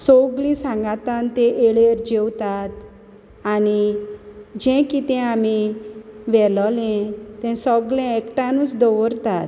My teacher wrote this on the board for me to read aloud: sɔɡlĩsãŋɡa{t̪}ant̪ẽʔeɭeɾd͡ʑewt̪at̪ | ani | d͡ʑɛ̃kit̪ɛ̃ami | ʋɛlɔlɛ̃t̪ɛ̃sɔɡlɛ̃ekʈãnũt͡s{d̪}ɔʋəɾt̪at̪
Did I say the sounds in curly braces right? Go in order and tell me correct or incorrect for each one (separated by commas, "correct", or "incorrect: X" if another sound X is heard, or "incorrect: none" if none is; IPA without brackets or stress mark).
correct, correct